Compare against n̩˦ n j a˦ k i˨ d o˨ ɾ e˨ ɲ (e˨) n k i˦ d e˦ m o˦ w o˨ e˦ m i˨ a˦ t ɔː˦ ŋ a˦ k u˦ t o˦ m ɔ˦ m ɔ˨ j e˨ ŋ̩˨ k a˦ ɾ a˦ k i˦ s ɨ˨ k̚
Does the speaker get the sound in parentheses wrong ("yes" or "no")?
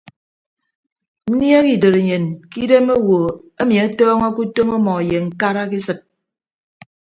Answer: no